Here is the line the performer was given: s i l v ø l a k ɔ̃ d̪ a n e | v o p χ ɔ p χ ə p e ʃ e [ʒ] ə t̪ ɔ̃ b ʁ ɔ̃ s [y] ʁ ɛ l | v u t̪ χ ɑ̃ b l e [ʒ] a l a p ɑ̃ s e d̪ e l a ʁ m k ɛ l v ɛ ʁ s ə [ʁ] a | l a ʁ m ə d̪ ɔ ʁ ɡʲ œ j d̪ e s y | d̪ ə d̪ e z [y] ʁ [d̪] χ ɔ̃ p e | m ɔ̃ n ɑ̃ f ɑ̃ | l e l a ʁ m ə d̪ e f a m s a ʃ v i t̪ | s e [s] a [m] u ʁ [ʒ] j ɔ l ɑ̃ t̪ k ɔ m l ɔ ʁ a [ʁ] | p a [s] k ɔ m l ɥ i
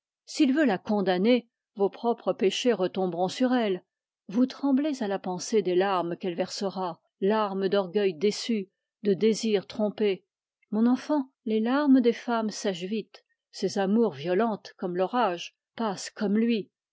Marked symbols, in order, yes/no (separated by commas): no, yes, no, yes, no, no, no, yes, no, no, yes